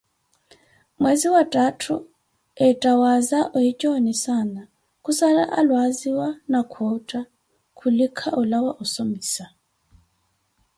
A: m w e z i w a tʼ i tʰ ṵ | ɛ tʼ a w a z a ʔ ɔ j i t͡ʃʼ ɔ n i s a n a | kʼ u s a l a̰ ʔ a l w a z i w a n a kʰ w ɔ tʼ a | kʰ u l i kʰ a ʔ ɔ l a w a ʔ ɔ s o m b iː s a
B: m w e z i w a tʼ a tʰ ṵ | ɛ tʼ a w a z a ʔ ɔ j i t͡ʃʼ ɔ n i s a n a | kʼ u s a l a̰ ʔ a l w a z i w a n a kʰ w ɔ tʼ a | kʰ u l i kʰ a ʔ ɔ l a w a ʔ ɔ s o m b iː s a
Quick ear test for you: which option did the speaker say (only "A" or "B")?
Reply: B